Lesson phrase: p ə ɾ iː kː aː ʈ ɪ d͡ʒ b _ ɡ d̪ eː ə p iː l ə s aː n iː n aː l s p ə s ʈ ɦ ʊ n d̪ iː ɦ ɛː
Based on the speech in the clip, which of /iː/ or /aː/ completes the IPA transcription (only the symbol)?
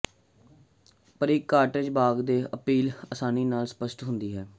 aː